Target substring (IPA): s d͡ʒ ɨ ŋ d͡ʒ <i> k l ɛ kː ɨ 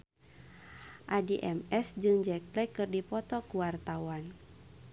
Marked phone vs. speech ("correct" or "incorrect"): incorrect